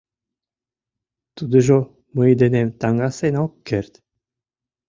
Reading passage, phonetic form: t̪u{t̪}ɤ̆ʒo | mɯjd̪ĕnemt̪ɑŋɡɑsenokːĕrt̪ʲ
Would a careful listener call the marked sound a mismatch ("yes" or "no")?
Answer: yes